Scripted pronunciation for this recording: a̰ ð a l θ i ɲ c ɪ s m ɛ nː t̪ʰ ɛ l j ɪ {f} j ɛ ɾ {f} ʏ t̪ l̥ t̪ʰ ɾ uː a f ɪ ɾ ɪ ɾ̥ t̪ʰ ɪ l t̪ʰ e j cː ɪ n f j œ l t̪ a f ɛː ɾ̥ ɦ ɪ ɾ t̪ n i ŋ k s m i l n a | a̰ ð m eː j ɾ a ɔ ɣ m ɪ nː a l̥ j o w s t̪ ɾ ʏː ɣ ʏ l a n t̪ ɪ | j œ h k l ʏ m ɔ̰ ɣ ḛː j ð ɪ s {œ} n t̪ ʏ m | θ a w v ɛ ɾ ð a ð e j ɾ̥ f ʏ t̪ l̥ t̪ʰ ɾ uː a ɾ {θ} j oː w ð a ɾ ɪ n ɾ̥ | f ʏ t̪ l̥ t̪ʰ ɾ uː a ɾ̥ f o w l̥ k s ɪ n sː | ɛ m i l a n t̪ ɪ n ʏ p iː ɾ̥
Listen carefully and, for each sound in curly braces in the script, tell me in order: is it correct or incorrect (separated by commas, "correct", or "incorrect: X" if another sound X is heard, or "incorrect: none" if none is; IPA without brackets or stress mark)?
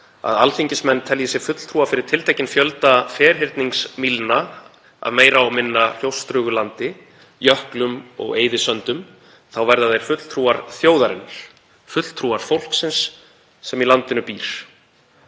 incorrect: s, correct, correct, correct